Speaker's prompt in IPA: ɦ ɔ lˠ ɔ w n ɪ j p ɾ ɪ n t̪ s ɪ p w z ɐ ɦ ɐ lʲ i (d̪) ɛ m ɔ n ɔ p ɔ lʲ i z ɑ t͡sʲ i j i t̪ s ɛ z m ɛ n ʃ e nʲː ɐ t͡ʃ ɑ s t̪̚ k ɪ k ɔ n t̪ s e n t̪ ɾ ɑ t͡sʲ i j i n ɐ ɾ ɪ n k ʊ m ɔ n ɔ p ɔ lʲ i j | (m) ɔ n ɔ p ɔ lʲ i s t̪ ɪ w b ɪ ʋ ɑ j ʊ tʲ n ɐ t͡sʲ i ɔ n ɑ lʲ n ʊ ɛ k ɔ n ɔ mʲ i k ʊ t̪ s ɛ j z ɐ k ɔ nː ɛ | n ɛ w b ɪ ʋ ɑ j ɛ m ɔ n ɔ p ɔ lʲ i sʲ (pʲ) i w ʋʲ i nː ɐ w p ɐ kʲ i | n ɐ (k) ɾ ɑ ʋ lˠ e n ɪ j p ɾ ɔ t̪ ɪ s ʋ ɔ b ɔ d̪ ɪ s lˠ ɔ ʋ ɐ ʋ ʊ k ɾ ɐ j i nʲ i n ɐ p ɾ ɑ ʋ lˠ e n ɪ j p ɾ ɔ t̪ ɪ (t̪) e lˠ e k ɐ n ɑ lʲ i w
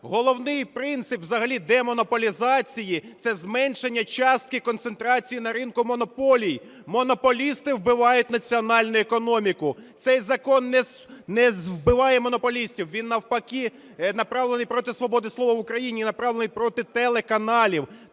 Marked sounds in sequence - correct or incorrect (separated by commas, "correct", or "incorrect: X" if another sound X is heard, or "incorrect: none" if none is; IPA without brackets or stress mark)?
correct, correct, incorrect: tʲ, incorrect: p, correct